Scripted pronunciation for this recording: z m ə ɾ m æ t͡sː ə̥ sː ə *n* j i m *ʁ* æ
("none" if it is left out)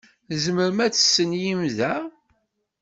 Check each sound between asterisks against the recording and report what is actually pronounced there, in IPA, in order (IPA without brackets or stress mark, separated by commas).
n, ð